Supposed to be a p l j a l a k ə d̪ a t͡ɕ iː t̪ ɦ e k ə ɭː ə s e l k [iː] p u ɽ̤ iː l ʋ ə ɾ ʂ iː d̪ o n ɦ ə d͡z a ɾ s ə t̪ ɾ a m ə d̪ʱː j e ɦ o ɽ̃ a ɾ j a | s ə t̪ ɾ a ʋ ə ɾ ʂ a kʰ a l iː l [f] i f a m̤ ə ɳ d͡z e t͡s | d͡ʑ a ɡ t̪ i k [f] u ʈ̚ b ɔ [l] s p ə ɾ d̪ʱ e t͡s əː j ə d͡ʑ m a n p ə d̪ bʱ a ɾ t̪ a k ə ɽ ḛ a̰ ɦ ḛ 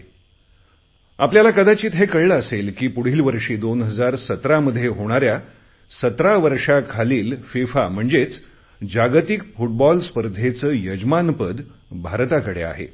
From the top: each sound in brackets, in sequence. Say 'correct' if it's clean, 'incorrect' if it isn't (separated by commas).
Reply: correct, correct, correct, correct